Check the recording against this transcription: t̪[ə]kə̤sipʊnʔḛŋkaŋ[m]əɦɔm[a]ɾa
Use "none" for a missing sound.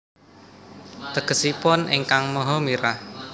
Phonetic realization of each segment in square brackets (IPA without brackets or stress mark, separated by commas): ə, m, i